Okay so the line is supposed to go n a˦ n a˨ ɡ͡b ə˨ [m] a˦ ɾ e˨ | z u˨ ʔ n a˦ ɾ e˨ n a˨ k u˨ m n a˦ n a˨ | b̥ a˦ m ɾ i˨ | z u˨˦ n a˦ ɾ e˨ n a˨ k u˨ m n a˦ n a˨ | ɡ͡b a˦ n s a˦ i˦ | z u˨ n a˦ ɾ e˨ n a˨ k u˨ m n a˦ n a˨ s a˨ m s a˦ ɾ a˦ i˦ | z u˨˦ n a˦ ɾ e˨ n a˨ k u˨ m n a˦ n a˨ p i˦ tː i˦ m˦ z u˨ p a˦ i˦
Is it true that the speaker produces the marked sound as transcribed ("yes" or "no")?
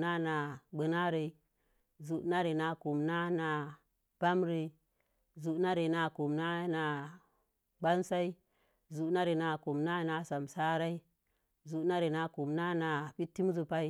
no